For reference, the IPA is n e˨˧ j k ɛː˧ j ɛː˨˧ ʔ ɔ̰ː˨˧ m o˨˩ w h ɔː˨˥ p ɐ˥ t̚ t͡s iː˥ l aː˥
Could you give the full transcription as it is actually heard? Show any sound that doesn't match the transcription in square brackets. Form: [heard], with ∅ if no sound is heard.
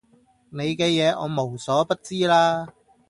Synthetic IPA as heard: n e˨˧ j k ɛː˧ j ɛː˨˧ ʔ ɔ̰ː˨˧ m o˨˩ w [s] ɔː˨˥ p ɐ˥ t̚ t͡s iː˥ l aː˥